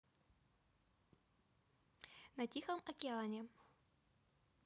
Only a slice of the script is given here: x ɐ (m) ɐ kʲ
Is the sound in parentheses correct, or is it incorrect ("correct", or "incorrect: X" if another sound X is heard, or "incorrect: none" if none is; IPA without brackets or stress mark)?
correct